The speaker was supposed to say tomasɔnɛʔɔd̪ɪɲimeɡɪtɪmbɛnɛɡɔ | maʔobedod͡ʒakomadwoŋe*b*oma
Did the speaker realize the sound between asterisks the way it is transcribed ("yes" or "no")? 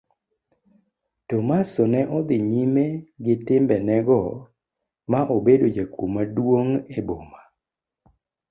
yes